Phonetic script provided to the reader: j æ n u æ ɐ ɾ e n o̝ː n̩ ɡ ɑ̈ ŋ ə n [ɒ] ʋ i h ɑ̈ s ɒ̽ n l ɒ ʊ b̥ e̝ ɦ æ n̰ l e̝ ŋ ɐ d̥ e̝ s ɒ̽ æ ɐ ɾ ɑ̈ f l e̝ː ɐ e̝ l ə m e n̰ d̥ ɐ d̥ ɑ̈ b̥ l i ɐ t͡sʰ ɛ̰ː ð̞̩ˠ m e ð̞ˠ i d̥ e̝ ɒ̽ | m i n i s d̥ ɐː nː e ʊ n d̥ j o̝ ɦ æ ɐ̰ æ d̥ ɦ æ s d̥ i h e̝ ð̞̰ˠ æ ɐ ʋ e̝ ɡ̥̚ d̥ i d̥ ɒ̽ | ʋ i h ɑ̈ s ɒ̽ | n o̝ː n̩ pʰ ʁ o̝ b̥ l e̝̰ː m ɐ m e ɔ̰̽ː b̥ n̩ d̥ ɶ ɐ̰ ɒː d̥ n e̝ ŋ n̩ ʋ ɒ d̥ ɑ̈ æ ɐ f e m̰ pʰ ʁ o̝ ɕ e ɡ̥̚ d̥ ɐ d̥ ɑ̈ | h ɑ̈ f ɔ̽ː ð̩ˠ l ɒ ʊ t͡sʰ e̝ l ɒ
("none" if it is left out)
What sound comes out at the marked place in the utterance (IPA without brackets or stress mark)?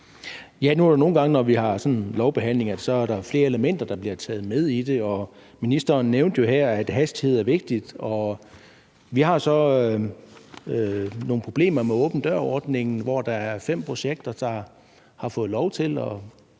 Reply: ɒ